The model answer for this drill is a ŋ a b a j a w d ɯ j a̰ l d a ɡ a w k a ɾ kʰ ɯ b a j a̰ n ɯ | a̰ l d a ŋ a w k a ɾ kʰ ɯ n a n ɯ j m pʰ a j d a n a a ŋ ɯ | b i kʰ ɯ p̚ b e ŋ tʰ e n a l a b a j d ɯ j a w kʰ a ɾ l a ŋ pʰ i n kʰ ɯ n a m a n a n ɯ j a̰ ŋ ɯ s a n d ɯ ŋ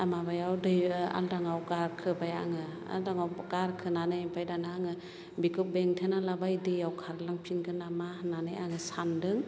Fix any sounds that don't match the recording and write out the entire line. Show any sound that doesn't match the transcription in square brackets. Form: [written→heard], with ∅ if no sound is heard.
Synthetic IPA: a [ŋ→m] a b a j a w d ɯ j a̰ l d a [ɡ→ŋ] a w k a ɾ kʰ ɯ b a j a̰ [n→ŋ] ɯ | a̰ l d a ŋ a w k a ɾ kʰ ɯ n a n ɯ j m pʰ a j d a n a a ŋ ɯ | b i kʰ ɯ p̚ b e ŋ tʰ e n a l a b a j d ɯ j a w kʰ a ɾ l a ŋ pʰ i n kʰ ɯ n a m a n a n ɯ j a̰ ŋ ɯ s a n d ɯ ŋ